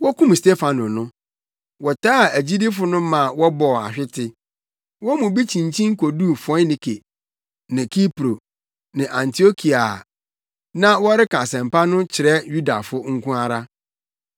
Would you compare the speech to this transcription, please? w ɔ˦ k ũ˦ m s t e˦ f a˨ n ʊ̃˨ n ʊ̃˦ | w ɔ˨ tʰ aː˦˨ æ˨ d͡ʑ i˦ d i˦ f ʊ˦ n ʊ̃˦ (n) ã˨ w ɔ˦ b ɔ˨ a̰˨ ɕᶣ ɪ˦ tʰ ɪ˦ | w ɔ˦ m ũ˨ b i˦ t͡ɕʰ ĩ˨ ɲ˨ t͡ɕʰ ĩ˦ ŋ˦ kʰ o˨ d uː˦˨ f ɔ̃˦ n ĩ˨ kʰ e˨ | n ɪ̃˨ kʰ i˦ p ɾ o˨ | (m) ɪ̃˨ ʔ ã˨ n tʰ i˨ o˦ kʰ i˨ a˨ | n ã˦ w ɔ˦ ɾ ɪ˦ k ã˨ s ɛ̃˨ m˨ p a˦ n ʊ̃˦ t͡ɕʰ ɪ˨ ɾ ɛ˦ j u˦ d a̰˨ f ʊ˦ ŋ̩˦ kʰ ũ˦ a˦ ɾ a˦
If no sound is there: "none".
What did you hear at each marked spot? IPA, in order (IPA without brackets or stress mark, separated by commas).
m, n